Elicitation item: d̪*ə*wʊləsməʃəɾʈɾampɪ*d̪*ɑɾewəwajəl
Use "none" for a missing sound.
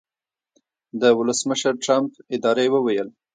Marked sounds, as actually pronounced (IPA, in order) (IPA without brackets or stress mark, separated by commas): ə, d̪